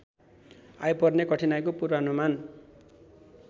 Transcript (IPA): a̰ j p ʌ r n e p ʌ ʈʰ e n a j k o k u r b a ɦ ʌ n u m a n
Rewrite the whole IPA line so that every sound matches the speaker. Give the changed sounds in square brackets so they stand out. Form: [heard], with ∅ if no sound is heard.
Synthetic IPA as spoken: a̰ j p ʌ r n e [k] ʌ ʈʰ [i] n a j k o [p] u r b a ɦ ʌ n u m a n

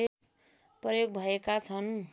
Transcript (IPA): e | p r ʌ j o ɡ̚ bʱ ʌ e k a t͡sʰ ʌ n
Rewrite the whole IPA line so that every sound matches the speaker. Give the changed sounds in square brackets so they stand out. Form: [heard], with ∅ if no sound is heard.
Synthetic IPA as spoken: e | p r ʌ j o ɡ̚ bʱ ʌ e k a t͡sʰ ʌ n

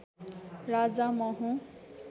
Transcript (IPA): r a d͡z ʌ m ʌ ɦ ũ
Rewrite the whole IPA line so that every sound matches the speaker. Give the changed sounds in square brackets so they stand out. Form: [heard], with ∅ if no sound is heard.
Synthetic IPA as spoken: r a d͡z [a] m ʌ ɦ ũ

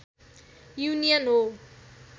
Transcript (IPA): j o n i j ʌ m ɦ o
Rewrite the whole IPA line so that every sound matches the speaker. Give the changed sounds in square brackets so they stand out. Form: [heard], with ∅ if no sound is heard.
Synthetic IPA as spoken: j [u] n i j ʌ [n] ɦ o

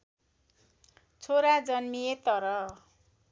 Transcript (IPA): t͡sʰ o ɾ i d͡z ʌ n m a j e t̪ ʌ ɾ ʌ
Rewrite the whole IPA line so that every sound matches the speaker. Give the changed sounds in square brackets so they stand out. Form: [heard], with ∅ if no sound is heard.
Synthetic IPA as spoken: t͡sʰ o ɾ [a] d͡z ʌ n m [i] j e t̪ ʌ ɾ ʌ

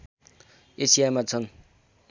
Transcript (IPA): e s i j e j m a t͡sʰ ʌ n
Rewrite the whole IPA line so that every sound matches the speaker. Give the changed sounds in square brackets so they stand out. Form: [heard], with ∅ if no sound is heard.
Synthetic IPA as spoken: e s i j [a] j m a t͡sʰ ʌ n

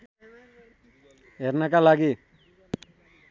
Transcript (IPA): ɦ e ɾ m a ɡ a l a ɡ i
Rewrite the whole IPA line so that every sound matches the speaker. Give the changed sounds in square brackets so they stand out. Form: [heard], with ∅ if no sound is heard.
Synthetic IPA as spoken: ɦ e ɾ [n] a [k] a l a ɡ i

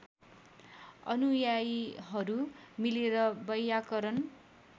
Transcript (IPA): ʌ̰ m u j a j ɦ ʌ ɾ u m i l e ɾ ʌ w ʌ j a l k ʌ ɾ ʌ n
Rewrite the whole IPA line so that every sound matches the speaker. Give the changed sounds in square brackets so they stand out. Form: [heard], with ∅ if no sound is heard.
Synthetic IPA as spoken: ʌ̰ [n] u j a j ɦ ʌ ɾ u m i l e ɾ ʌ [b] ʌ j a [∅] k ʌ ɾ ʌ n

